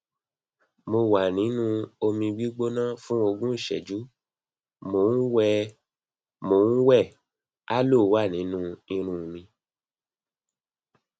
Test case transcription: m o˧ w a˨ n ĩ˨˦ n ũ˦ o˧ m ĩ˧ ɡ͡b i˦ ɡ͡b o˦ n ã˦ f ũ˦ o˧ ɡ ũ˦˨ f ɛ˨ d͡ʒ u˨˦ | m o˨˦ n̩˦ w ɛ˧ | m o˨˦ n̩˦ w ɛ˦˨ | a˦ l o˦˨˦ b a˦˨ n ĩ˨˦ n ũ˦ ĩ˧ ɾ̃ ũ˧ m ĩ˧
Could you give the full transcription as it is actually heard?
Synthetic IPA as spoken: m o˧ w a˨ n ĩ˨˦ n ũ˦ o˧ m ĩ˧ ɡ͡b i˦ ɡ͡b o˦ n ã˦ f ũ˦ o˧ ɡ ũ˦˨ ʃ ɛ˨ d͡ʒ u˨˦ | m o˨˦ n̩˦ w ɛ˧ | m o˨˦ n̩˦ w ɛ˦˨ | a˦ l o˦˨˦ w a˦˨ n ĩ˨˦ n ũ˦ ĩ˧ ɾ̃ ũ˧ m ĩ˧